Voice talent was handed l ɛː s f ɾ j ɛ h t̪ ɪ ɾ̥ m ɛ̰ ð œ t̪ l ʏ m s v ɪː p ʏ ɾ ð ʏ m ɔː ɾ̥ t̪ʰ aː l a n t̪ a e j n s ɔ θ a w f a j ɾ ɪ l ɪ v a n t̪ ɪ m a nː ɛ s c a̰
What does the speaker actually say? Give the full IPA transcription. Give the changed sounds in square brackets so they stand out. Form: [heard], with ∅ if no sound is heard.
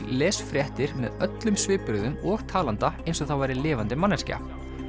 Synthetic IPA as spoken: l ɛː s f ɾ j ɛ h t̪ ɪ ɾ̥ m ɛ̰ ð œ t̪ l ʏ m s v ɪː p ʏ ɾ ð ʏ m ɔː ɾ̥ t̪ʰ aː l a n t̪ a e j n s ɔ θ a w [v] a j ɾ ɪ l [ɪː] v a n t̪ ɪ m a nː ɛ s c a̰